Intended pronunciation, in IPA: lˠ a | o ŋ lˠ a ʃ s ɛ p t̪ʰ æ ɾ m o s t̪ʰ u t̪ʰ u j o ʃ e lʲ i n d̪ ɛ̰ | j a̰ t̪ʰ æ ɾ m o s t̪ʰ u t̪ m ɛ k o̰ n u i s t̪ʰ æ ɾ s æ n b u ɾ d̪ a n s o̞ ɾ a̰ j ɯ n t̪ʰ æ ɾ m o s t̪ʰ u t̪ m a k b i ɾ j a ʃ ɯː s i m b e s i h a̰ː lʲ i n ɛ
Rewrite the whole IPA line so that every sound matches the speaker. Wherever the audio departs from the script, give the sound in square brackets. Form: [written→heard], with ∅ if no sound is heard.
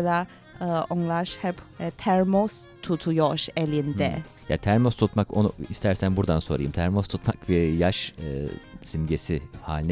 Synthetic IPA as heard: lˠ a | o ŋ lˠ a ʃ [s→h] ɛ p t̪ʰ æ ɾ m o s t̪ʰ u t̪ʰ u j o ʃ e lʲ i n d̪ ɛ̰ | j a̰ t̪ʰ æ ɾ m o s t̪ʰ u t̪ m [ɛ→a] k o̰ n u i s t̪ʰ æ ɾ s æ n b u ɾ d̪ a n s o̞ ɾ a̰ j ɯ [n→m] t̪ʰ æ ɾ m o s t̪ʰ u t̪ m a k b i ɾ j a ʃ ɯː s i m [b→ɟ] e s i h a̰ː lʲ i n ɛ